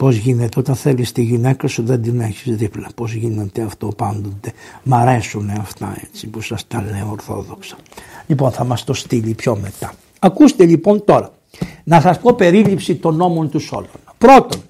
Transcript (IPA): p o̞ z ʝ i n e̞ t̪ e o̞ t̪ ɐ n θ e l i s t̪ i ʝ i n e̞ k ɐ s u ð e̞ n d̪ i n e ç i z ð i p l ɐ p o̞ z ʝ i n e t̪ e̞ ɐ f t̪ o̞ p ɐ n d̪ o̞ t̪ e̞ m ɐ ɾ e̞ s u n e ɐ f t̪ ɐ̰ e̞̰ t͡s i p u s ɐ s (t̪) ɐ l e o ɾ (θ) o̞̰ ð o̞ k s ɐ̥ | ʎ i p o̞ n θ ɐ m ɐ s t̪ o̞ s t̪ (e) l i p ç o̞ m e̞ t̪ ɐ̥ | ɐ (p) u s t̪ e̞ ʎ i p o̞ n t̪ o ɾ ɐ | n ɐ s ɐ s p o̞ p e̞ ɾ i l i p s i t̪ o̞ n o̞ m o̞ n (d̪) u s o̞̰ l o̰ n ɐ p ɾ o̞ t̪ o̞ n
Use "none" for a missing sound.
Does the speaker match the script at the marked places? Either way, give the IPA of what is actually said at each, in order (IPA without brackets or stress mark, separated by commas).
t̪, θ, i, k, t̪